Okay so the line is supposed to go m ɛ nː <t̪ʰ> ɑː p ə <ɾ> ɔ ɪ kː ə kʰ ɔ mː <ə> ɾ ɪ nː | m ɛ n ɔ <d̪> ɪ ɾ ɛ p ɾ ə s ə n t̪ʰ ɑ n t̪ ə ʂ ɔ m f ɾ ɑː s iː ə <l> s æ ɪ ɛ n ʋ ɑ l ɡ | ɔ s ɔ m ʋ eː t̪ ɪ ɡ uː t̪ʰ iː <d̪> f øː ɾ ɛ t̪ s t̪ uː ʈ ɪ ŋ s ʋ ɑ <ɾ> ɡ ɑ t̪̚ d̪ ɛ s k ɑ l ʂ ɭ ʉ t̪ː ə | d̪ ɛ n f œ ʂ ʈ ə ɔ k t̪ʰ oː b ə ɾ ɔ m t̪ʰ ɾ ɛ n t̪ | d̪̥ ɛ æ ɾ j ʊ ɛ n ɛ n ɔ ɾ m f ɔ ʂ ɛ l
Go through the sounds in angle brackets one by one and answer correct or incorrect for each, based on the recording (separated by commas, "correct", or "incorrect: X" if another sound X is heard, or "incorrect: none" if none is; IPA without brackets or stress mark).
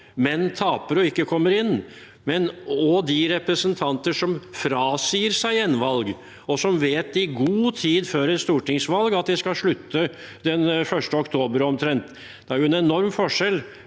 correct, correct, correct, correct, incorrect: ɾ, correct, incorrect: l